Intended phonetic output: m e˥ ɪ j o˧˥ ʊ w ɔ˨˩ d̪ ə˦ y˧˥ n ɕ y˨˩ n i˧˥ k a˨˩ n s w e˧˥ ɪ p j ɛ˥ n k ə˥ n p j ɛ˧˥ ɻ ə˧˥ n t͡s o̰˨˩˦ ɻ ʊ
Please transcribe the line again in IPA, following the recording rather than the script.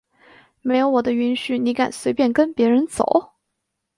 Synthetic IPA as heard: m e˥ ɪ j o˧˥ ʊ w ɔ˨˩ d̪ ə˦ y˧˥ n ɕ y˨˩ n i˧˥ k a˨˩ n s w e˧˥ ɪ p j ɛ˥˩ n k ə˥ n p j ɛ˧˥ ɻ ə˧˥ n t͡s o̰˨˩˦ ʊ

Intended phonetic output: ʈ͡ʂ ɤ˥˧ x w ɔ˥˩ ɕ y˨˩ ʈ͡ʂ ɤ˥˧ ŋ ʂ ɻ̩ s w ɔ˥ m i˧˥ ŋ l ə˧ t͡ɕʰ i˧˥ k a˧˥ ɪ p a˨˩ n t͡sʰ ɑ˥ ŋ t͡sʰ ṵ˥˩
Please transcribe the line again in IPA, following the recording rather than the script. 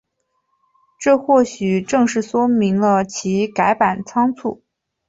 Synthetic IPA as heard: ʈ͡ʂ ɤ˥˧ x w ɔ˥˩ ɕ y˨˩ ʈ͡ʂ ɤ˥˧ ŋ ʂ ɻ̩ s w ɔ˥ m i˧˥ ŋ l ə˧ t͡ɕʰ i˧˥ k a˧˥ ɪ p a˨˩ n t͡sʰ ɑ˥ ŋ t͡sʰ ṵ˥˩

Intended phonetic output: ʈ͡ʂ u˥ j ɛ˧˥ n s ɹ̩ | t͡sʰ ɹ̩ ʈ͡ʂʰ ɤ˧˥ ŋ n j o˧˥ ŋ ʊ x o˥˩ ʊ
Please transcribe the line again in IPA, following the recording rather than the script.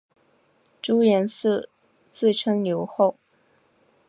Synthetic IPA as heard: ʈ͡ʂ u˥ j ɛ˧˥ n s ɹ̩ | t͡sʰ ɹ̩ ʈ͡ʂʰ ɤ˥ ŋ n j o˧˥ ʊ x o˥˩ ʊ

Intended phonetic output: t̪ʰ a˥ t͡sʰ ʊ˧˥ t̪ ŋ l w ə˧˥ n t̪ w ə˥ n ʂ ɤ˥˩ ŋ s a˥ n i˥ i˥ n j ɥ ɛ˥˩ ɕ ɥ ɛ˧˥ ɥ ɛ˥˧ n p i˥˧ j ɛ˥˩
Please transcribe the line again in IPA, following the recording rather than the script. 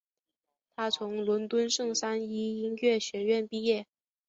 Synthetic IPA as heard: t̪ʰ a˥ t͡sʰ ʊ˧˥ ŋ l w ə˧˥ n t̪ w ə˥ n ʂ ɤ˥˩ ŋ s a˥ n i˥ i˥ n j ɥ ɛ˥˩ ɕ ɥ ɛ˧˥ ɥ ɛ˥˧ n p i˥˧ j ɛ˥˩

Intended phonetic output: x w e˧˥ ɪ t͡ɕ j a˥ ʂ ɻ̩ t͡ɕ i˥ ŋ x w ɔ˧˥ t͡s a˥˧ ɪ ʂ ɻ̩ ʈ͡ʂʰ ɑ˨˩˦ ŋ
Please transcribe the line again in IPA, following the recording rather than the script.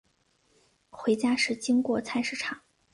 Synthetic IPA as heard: x w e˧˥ ɪ t͡ɕ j a˥ ʂ ɻ̩ t͡ɕ i˥ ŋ k w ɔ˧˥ t͡sʰ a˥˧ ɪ ʂ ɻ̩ ʈ͡ʂʰ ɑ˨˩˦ ŋ

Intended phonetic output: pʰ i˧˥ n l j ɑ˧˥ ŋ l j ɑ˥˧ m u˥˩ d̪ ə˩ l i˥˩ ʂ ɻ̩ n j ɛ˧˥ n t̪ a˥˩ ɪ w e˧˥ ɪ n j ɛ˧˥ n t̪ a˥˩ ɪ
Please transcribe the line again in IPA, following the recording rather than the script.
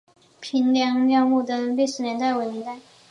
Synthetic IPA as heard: pʰ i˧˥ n l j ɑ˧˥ ŋ l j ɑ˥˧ m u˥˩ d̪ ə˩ l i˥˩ ʂ ɻ̩ n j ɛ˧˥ n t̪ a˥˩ ɪ w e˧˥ ɪ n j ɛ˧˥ n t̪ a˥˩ ɪ

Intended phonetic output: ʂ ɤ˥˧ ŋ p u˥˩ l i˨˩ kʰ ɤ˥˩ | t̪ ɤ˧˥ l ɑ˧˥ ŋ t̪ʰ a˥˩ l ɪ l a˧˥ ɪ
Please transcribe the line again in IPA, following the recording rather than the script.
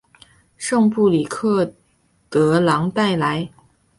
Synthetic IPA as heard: ʂ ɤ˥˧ ŋ p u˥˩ l i˨˩ kʰ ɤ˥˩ | t̪ ɤ˧˥ l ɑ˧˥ ŋ t̪ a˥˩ ɪ l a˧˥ ɪ

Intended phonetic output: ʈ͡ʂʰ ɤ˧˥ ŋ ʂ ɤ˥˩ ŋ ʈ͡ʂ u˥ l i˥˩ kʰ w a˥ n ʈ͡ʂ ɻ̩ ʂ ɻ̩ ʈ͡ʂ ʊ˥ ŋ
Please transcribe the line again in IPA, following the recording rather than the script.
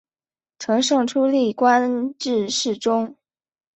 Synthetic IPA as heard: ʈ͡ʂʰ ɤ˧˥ ŋ ʂ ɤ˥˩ ŋ ʈ͡ʂʰ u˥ l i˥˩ k w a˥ n ʈ͡ʂ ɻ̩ ʂ ɻ̩ ʈ͡ʂ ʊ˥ ŋ

